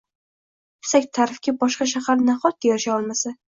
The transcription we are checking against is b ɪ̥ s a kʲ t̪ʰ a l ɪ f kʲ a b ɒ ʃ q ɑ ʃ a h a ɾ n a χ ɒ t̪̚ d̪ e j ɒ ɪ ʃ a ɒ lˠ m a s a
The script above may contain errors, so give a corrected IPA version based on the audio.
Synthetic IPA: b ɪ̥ s a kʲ t̪ʰ a ɾ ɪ f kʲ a b ɒ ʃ q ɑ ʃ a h a ɾ n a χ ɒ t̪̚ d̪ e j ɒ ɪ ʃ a ɒ lˠ m a s a

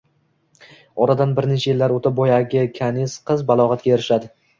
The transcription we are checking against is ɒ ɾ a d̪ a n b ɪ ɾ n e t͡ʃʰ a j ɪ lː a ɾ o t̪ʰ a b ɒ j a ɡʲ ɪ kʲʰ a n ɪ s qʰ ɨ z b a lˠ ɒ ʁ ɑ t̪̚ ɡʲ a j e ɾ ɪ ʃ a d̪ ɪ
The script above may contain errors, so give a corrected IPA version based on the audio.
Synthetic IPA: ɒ ɾ a d̪ a n b ɪ ɾ n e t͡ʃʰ a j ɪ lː a ɾ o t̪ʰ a b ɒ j a ɡʲ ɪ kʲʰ a n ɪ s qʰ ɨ z b a lˠ ɒ ʁ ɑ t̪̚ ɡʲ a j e ɾ ɪ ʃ a d̪ ɪ

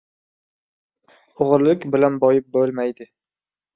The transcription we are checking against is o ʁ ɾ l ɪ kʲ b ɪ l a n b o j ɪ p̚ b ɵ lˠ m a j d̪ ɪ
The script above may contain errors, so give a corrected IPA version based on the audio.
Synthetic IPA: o ʁ ɾ l ɪ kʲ b ɪ l a n b ɒ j ɪ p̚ b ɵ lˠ m a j d̪ ɪ

